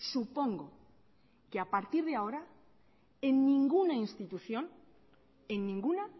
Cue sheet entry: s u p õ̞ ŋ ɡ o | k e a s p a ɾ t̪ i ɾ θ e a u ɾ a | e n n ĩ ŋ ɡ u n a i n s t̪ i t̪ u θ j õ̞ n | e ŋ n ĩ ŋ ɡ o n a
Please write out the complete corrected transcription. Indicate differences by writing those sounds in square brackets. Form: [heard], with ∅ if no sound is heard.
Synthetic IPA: s u p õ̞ ŋ ɡ o | k e a [∅] p a ɾ t̪ i ɾ [ð] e a [o] ɾ a | e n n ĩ ŋ ɡ u n a i n s t̪ i t̪ u θ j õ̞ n | e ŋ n ĩ ŋ ɡ [u] n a